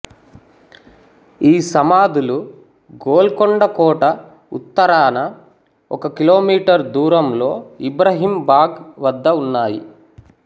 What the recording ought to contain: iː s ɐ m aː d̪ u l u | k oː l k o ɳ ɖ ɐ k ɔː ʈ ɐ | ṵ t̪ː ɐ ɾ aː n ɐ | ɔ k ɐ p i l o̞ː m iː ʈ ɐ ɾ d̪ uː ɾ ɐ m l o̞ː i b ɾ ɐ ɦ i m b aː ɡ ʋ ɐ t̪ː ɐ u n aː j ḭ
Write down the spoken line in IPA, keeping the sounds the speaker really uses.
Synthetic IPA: iː s ɐ m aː d̪ u l u | ɡ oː l k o ɳ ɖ ɐ k ɔː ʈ ɐ | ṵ t̪ː ɐ ɾ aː n ɐ | ɔ k ɐ k i l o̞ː m iː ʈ ɐ ɾ d̪ uː ɾ ɐ m l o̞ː i b ɾ ɐ ɦ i m b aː ɡ ʋ ɐ d̪ː ɐ u nː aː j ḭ